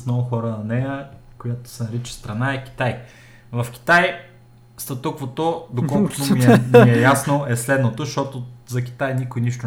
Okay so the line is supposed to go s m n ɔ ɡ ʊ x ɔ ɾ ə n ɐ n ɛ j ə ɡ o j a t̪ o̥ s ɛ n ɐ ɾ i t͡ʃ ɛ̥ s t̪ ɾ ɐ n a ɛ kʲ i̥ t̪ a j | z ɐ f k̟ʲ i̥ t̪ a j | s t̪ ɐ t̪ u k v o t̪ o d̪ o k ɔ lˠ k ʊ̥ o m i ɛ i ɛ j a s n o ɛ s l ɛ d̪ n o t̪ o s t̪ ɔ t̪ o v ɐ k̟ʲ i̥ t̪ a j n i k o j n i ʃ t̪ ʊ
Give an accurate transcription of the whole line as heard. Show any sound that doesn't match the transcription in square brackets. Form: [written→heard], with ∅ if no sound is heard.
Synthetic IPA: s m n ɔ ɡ ʊ x ɔ ɾ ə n ɐ n ɛ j ə [ɡ→k] o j a t̪ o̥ s ɛ n ɐ ɾ i t͡ʃ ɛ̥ s t̪ ɾ ɐ n a ɛ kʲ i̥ t̪ a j | [z→v] ɐ f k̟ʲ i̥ t̪ a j | s t̪ ɐ t̪ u k v o t̪ o d̪ o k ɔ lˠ k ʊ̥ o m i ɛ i ɛ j a s n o ɛ s l ɛ d̪ n o t̪ o [s→ʃ] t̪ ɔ t̪ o [v→z] ɐ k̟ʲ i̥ t̪ a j n i k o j n i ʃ t̪ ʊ